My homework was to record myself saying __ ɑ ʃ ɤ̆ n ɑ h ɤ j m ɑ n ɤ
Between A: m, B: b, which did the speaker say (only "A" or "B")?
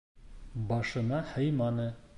B